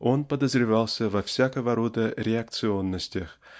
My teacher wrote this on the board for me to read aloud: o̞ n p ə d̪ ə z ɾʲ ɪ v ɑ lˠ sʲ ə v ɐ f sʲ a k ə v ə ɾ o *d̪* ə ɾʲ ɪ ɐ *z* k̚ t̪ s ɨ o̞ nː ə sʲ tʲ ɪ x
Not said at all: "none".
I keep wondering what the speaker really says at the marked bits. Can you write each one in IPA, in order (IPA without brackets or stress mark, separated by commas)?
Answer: d̪, none